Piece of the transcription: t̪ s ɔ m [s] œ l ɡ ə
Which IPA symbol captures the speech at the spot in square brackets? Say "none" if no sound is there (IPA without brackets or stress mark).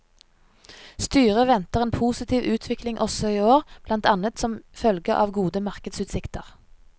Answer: f